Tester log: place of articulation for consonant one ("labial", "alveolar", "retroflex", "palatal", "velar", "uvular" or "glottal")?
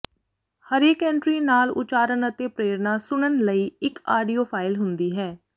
glottal